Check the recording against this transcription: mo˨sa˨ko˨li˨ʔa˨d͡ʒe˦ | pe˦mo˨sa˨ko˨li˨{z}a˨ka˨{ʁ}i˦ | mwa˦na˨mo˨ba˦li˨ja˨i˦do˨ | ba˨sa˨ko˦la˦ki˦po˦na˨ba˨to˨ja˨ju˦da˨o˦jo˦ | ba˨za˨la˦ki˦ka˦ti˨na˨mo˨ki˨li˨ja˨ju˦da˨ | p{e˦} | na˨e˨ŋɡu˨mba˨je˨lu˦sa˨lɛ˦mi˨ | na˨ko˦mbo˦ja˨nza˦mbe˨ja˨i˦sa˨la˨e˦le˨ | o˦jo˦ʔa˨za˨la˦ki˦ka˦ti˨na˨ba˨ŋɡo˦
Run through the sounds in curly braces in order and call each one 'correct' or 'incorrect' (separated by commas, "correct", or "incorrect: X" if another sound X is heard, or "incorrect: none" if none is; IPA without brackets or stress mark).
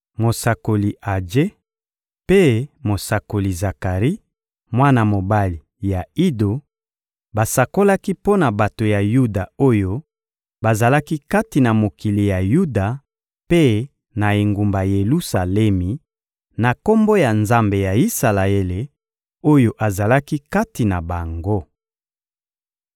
correct, correct, correct